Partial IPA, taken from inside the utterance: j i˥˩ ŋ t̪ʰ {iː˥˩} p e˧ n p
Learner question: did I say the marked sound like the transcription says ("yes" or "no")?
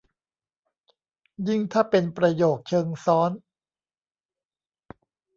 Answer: no